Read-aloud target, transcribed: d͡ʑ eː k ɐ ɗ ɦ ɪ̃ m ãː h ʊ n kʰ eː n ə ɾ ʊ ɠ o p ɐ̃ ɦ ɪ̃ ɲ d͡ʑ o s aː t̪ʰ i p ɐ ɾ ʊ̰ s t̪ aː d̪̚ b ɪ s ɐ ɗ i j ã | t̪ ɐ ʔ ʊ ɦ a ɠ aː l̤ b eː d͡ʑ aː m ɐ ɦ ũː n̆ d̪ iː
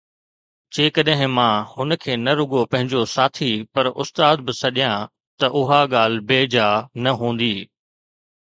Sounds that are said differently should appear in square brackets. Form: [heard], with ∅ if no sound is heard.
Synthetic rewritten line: d͡ʑ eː k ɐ ɗ ɦ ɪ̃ m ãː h ʊ n kʰ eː n [ɐ] ɾ ʊ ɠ o p ɐ̃ ɦ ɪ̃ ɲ d͡ʑ o s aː t̪ʰ i p ɐ ɾ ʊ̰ s t̪ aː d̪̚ b ɪ s ɐ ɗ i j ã | t̪ ɐ ʔ ʊ ɦ a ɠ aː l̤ b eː d͡ʑ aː [n] ɐ ɦ ũː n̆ d̪ iː

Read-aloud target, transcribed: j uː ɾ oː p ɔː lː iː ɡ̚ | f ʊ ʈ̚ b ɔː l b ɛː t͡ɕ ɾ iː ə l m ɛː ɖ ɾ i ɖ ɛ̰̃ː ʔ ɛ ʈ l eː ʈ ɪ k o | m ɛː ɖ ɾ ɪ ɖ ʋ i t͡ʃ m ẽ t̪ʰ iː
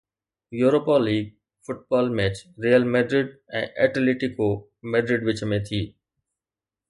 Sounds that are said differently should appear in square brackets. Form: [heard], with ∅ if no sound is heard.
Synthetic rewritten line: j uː ɾ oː p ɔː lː iː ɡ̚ | f ʊ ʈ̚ b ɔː l [m] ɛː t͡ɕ ɾ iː ə l m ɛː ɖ ɾ [ɪ] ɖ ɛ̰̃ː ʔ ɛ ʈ l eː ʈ ɪ k o | m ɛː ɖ ɾ ɪ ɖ ʋ [ɪ] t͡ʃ m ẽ t̪ʰ iː

